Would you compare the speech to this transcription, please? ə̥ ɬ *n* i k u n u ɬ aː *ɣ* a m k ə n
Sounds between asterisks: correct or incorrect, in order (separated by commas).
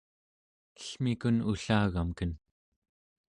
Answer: incorrect, correct